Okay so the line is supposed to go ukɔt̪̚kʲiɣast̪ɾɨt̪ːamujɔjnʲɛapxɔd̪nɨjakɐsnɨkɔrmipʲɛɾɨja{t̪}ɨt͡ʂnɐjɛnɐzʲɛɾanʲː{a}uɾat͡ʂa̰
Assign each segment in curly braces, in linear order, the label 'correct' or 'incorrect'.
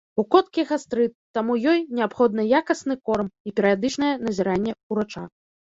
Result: incorrect: d̪, incorrect: ɛ

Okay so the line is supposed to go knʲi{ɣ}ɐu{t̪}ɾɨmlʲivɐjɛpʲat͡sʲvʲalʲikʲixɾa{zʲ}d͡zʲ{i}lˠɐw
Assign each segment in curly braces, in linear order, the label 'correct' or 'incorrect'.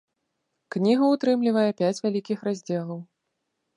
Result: correct, correct, correct, incorrect: ɛ

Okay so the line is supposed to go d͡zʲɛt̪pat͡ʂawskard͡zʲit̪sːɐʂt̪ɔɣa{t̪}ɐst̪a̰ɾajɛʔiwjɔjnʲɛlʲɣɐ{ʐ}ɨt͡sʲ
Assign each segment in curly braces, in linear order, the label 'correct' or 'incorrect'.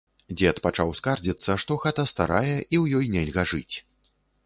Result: correct, correct

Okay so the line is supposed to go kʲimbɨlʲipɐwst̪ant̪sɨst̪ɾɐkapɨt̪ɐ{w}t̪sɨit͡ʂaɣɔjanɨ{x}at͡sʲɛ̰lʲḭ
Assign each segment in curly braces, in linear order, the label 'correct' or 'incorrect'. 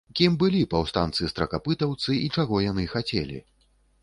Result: correct, correct

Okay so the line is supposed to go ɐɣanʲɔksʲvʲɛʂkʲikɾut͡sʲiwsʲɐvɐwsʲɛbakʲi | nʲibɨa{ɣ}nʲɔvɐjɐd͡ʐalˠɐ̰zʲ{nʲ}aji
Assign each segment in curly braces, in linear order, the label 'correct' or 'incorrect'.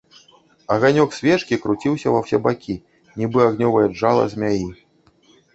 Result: correct, incorrect: mʲ

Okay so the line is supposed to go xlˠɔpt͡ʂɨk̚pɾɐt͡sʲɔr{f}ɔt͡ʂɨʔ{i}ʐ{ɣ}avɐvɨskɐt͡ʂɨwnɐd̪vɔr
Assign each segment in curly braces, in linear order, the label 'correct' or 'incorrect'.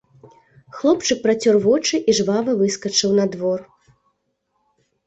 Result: incorrect: v, correct, incorrect: v

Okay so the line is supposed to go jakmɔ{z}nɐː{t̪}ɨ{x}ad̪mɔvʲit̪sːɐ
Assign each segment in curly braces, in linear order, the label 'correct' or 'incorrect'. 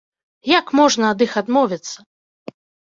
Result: incorrect: ʐ, incorrect: d̪, correct

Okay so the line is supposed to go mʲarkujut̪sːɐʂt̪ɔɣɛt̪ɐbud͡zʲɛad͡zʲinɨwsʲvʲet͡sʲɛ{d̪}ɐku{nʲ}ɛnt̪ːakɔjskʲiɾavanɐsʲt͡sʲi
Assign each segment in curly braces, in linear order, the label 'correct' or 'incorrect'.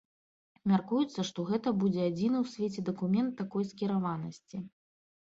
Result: correct, incorrect: mʲ

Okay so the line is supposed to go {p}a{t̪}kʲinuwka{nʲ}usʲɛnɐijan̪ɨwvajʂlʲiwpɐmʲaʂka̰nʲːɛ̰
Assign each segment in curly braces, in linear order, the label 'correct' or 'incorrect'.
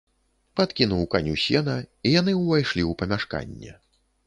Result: correct, correct, correct

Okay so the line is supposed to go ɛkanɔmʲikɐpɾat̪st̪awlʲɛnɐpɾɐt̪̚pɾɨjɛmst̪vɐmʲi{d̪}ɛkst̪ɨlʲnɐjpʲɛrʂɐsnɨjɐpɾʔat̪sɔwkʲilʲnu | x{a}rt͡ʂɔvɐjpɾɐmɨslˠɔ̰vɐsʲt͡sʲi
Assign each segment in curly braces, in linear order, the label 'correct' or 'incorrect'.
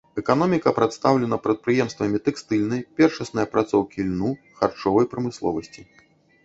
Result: incorrect: t̪, correct

